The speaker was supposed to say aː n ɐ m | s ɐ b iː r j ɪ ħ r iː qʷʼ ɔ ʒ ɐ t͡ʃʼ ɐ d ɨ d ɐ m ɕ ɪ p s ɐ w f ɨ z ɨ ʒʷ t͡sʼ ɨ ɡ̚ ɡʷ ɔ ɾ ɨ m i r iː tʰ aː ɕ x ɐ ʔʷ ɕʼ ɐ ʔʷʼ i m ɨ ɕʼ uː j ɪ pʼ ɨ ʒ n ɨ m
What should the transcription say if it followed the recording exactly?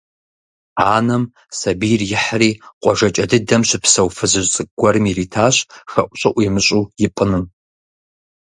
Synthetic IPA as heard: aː n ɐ m | s ɐ b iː r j ɪ ħ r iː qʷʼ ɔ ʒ ɐ t͡ʃʼ ɐ d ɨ d ɐ m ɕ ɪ p s ɐ w f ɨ z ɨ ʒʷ t͡sʼ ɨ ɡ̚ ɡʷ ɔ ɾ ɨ m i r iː tʰ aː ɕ x ɐ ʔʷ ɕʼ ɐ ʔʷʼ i m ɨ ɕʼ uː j ɪ pʼ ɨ n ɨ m